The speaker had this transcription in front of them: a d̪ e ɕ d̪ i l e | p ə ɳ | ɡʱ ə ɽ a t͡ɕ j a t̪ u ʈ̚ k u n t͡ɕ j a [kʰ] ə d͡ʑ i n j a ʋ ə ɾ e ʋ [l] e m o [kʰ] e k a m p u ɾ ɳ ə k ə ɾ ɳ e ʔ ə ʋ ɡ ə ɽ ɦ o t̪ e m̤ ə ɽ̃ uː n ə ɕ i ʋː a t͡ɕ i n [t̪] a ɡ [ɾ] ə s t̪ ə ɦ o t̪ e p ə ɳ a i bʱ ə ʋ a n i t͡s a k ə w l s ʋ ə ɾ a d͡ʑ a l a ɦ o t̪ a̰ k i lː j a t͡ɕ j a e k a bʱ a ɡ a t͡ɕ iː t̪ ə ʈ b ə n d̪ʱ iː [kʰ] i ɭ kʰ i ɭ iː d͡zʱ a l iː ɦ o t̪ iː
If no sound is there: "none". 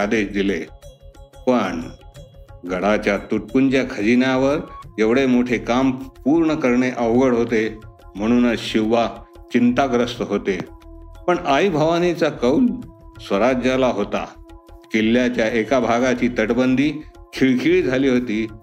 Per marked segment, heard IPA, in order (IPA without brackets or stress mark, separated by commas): kʰ, ɽ, ʈʰ, t̪, ɾ, kʰ